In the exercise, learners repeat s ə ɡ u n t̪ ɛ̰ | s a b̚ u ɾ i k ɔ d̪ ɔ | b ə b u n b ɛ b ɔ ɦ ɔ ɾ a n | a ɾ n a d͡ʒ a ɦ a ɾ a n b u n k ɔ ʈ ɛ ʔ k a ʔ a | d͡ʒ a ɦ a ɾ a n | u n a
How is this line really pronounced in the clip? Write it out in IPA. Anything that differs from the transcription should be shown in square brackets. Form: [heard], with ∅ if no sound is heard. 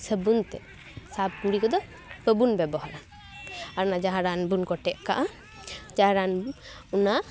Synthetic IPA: s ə [b] u n t̪ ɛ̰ | s a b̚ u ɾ i k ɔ d̪ ɔ | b ə b u n b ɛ b ɔ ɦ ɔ ɾ a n | a ɾ n a d͡ʒ a ɦ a ɾ a n b u n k ɔ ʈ ɛ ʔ k a ʔ a | d͡ʒ a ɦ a ɾ a n | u n a